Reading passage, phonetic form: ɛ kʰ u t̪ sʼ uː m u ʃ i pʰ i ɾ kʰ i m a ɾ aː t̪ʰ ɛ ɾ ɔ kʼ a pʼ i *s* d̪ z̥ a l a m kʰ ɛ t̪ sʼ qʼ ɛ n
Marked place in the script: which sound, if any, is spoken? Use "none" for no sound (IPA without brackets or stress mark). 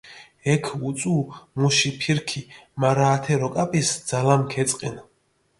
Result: s